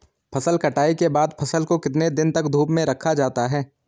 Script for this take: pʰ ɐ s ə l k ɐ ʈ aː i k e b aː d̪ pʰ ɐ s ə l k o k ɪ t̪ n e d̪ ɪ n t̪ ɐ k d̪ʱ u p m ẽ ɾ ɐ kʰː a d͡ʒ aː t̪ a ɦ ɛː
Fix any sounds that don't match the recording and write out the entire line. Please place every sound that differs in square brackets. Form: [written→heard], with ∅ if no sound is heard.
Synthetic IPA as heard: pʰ ɐ s ə l k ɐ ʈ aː i k e b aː d̪ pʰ ɐ s ə l k o k ɪ t̪ n e d̪ ɪ n t̪ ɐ k d̪ʱ [u→uː] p m ẽ ɾ ɐ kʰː a d͡ʒ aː t̪ a ɦ ɛː